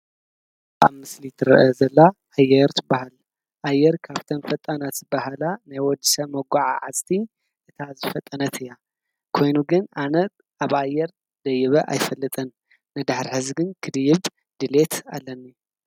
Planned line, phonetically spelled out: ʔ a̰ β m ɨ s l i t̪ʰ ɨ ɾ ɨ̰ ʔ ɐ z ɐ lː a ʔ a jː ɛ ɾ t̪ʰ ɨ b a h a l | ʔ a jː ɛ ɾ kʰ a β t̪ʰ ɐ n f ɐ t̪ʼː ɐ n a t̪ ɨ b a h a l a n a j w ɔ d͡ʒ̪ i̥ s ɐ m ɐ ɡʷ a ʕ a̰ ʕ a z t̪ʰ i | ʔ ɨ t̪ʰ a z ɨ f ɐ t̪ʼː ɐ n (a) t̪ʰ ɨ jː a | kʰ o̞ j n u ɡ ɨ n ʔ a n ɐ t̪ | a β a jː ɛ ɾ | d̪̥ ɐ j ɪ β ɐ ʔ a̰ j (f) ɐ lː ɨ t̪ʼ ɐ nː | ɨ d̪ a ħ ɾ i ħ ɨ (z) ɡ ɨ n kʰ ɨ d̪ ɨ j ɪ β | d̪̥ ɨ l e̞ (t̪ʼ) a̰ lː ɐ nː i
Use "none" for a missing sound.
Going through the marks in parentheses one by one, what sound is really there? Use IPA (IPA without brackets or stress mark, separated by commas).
ɐ, f, z, t̪